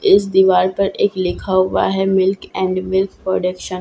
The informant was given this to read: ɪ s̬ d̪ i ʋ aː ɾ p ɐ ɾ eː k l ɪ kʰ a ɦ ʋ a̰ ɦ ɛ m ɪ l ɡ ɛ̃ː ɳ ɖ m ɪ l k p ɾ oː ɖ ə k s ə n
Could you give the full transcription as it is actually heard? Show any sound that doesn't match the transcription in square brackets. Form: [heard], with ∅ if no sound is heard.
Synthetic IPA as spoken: ɪ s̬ d̪ i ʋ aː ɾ p ɐ ɾ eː k l ɪ kʰ a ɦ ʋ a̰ ɦ ɛ m ɪ l [k] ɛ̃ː ɳ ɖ m ɪ l k p ɾ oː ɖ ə k [ʃ] ə n